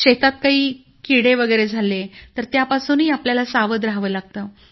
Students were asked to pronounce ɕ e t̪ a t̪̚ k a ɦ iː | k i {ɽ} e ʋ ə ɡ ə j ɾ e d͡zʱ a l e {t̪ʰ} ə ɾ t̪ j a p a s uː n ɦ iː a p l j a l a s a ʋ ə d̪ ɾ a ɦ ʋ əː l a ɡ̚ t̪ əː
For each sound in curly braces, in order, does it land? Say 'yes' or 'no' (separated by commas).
yes, no